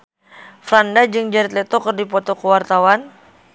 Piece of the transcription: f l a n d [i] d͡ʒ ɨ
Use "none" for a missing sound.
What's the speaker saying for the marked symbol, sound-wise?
a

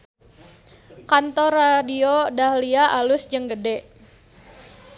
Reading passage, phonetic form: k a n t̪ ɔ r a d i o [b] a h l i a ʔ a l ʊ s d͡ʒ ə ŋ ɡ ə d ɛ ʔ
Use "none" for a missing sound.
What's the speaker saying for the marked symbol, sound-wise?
d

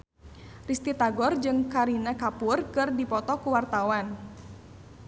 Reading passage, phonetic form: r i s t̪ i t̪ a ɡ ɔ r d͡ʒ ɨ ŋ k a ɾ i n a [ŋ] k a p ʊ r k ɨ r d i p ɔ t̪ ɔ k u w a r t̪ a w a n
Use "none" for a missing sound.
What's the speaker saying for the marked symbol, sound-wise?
none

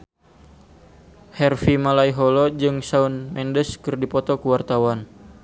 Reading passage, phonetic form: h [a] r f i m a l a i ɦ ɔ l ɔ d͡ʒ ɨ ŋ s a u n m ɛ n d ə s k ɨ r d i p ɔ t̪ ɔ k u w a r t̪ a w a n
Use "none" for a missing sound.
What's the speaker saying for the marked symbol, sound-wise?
ɛ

